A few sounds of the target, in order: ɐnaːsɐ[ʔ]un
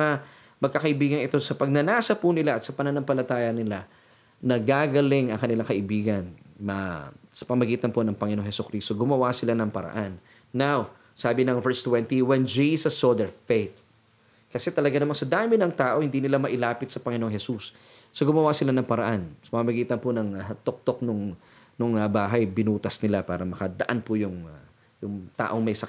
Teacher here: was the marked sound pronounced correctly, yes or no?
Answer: no